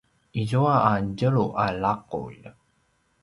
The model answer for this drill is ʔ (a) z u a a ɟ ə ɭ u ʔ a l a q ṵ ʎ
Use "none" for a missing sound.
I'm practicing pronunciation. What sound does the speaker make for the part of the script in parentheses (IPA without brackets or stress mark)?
i